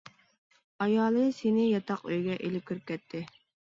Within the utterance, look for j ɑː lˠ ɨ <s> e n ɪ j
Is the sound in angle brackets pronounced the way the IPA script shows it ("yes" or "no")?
yes